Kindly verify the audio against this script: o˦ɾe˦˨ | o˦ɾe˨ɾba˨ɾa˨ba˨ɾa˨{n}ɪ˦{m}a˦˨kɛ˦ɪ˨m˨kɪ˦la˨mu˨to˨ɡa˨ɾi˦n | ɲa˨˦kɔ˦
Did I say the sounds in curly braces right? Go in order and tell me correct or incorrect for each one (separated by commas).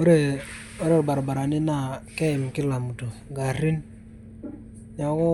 correct, incorrect